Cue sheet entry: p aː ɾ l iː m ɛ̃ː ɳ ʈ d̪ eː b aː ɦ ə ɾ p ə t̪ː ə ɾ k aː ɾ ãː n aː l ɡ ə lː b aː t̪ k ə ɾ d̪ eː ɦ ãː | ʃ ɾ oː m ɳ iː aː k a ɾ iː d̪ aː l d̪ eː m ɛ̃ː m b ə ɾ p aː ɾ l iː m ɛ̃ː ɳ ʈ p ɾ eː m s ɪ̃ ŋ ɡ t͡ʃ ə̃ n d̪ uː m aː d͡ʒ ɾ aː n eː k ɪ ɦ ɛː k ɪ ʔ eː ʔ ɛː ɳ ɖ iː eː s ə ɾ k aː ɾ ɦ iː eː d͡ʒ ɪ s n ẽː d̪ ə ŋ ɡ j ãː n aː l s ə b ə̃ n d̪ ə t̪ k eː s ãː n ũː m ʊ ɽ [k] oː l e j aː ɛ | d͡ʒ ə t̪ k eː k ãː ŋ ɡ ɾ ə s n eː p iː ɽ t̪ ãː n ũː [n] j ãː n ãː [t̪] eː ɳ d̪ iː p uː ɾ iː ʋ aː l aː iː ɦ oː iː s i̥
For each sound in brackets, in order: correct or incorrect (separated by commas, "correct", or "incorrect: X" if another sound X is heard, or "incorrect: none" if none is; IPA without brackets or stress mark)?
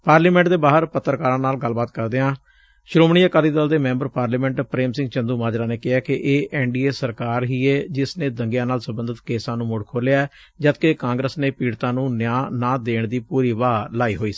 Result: incorrect: kʰ, correct, incorrect: d̪